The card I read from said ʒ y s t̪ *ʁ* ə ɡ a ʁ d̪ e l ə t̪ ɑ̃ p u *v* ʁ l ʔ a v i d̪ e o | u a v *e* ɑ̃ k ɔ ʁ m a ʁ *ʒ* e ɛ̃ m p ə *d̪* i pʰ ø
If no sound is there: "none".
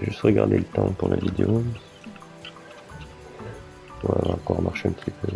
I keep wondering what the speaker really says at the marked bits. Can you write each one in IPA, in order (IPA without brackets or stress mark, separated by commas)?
ʁ, none, a, ʃ, t̪